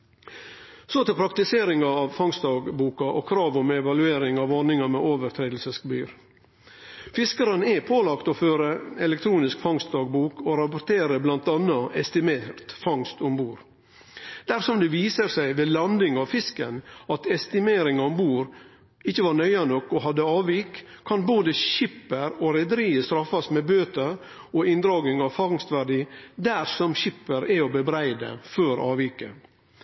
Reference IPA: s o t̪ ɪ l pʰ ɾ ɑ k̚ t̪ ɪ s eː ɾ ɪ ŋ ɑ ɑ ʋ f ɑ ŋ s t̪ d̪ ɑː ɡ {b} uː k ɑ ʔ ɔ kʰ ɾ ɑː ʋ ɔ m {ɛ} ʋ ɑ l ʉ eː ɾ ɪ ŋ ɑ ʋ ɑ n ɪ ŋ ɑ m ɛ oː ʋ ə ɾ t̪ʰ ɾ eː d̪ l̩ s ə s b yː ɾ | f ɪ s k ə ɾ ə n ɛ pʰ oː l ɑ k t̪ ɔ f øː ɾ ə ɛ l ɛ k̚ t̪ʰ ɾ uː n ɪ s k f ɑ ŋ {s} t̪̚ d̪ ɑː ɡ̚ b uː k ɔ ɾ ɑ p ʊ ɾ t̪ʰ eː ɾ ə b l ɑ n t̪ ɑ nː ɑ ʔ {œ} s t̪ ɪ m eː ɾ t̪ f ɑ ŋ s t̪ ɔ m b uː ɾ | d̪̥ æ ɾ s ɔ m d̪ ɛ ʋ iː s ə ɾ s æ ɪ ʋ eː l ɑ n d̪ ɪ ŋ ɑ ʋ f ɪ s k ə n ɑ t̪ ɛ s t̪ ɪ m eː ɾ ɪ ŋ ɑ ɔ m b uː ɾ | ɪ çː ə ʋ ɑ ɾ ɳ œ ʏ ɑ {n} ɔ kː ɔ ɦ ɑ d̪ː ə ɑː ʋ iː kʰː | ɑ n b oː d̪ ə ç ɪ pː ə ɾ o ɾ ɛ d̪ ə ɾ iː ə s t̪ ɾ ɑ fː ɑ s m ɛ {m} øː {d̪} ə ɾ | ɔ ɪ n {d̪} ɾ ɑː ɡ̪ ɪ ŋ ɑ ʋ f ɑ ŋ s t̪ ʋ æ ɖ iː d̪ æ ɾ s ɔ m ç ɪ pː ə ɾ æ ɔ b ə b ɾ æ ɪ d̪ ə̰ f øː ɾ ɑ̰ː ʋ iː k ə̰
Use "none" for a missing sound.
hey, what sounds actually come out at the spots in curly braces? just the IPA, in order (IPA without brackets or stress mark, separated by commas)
b, ɛ, s, ɛ, n, b, t̪, d̪